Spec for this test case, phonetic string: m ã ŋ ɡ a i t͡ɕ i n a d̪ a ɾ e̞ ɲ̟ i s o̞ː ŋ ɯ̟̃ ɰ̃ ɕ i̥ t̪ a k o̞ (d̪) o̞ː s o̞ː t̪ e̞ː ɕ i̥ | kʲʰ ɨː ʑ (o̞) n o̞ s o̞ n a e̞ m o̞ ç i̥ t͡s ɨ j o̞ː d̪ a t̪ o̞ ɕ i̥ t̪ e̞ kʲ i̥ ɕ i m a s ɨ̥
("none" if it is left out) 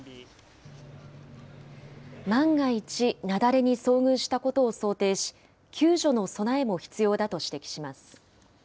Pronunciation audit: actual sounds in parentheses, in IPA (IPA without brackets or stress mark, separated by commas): t̪, o̞